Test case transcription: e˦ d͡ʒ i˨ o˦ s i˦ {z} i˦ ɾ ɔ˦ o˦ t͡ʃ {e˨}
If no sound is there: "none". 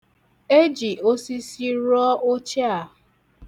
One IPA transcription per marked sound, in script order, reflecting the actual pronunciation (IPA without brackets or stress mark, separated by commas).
s, a˨